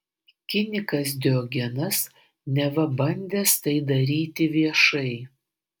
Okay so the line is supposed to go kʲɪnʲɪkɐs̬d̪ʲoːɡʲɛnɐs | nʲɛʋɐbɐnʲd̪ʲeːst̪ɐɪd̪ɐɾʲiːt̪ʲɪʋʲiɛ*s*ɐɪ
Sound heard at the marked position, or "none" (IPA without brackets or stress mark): ʃ